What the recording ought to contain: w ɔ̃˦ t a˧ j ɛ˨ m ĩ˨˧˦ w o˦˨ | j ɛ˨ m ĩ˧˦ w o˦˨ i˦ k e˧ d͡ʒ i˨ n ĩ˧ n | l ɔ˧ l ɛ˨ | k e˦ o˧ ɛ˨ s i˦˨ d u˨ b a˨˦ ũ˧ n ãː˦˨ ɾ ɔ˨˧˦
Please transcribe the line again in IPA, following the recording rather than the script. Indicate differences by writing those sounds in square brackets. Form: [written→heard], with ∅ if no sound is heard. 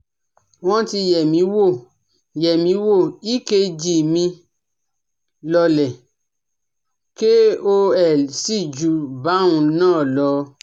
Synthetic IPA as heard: w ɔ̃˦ t [a˧→i˧] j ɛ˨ m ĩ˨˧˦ w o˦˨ | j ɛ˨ m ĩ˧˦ w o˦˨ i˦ k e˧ d͡ʒ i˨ [n→m] ĩ˧ [n→∅] | l ɔ˧ l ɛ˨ | k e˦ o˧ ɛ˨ s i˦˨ [d→d͡ʒ] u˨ b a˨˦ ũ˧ n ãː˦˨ [ɾ→l] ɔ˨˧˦